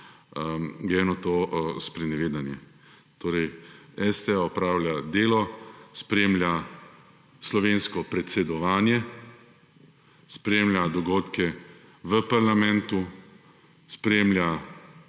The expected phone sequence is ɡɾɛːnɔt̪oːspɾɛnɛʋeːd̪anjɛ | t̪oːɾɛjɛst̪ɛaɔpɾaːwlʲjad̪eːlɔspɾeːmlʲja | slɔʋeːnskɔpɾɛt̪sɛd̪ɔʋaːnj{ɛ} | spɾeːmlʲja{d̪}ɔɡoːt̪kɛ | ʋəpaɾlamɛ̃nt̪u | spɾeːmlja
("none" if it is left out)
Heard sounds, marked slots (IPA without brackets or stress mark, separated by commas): ɛ, d̪